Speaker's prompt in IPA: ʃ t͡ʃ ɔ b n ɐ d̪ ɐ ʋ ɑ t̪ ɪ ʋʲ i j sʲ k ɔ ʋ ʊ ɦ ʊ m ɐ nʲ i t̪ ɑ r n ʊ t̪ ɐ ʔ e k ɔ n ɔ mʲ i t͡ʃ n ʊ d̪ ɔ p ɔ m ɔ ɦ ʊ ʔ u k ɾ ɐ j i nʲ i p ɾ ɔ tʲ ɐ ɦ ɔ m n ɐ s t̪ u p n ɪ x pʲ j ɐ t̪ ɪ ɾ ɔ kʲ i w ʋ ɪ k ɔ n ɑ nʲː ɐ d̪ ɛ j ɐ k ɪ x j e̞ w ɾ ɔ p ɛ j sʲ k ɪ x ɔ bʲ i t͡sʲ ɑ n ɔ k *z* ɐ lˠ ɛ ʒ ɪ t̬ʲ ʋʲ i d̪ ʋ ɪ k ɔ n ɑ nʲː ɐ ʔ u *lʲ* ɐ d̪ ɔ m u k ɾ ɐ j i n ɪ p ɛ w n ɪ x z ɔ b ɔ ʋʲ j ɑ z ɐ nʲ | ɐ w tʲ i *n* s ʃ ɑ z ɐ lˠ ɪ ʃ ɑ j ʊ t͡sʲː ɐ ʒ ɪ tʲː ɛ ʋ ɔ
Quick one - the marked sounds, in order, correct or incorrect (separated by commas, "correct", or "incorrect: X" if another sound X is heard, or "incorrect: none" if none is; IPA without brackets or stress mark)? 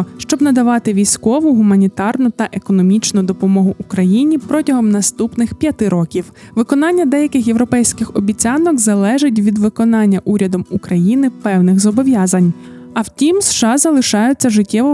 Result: correct, incorrect: ɾʲ, incorrect: m